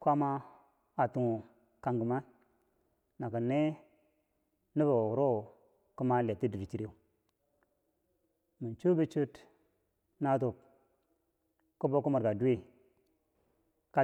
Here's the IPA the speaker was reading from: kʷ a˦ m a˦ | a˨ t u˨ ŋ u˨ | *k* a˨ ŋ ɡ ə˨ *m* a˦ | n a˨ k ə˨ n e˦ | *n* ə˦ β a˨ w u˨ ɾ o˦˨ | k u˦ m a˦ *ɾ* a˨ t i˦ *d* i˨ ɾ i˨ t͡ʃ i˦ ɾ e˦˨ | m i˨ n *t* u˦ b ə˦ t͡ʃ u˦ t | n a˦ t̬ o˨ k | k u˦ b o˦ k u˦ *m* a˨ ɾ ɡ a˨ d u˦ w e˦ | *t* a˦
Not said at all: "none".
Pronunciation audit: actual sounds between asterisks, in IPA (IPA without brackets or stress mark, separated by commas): k, m, n, l, d, t͡ʃ, m, k